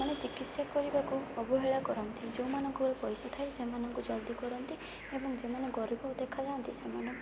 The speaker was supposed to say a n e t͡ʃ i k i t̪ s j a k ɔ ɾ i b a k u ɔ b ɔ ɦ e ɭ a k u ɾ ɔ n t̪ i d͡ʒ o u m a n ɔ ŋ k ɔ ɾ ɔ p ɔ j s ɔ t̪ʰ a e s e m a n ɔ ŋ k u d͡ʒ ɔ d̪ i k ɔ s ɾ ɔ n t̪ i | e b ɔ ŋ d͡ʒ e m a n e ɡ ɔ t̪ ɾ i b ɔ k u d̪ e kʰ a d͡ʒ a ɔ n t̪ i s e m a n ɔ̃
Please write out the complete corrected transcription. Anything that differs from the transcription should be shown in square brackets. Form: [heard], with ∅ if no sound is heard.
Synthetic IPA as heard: a n e t͡ʃ i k i t̪ s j a k ɔ ɾ i b a k u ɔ b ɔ ɦ e ɭ a k [ɔ] ɾ ɔ n t̪ i d͡ʒ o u m a n ɔ ŋ k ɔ ɾ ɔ p ɔ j s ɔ t̪ʰ a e s e m a n ɔ ŋ k u d͡ʒ ɔ d̪ i k ɔ [∅] ɾ ɔ n t̪ i | e b ɔ ŋ d͡ʒ e m a n e ɡ ɔ [∅] ɾ i b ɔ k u d̪ e kʰ a d͡ʒ a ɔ n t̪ i s e m a n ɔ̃

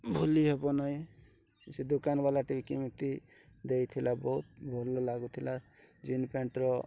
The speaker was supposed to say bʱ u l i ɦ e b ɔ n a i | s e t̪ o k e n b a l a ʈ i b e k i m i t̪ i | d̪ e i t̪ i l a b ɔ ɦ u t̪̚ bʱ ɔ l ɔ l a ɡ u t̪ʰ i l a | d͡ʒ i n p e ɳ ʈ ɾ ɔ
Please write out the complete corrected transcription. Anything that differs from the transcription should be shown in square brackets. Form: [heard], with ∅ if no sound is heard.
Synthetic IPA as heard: bʱ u l i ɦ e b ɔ n a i | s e [d̪] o k [a] n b a l a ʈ i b [i] k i m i t̪ i | d̪ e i [t̪ʰ] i l a b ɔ ɦ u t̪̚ bʱ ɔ l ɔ l a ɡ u t̪ʰ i l a | d͡ʒ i n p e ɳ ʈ ɾ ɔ

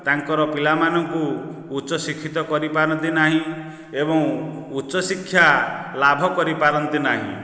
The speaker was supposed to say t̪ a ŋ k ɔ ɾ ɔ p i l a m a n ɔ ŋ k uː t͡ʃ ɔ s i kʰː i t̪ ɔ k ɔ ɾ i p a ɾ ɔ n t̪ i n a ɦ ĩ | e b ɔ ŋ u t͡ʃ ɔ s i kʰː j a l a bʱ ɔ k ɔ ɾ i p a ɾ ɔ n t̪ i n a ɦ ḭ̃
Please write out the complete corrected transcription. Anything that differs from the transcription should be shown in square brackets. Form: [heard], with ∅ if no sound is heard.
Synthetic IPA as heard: t̪ a ŋ k ɔ ɾ ɔ p i l a m a n ɔ ŋ k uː t͡ʃ ɔ s i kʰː i t̪ ɔ k ɔ ɾ i p a ɾ ɔ n t̪ i n a ɦ ĩ | e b ɔ ŋ u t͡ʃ ɔ s i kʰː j a l a bʱ ɔ k ɔ ɾ i p a ɾ ɔ n t̪ i n a ɦ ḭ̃

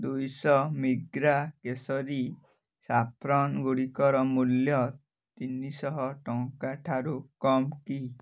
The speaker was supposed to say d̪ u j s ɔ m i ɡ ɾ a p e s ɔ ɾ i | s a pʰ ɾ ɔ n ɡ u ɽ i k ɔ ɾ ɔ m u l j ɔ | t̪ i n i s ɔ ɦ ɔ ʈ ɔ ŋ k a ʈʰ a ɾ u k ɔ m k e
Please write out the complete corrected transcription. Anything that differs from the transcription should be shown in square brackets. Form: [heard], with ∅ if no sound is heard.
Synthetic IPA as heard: d̪ u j s ɔ m i ɡ ɾ a [k] e s ɔ ɾ i | s a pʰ ɾ ɔ n ɡ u ɽ i k ɔ ɾ ɔ m u l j ɔ | t̪ i n i s ɔ ɦ ɔ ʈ ɔ ŋ k a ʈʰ a ɾ u k ɔ m k [i]

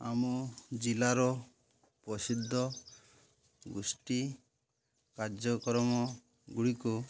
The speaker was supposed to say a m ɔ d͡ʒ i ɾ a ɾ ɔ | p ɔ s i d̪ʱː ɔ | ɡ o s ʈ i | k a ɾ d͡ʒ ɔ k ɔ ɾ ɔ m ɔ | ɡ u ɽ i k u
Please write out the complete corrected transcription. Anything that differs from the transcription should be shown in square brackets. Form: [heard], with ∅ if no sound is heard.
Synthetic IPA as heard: a m ɔ d͡ʒ i [l] a ɾ ɔ | p ɔ s i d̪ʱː ɔ | ɡ [u] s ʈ i | k a ɾ d͡ʒ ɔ k ɔ ɾ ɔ m ɔ | ɡ u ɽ i k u

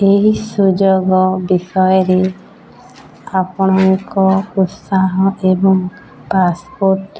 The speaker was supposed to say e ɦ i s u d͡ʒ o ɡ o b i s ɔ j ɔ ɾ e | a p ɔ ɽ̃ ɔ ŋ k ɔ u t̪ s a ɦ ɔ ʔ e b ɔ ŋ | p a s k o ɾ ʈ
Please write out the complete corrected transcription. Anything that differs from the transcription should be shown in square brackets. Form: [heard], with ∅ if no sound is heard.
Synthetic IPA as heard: e ɦ i s u d͡ʒ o ɡ [ɔ] b i s ɔ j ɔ ɾ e | a p ɔ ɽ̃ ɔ ŋ k ɔ u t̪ s a ɦ ɔ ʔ e b ɔ ŋ | p a s [p] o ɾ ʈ

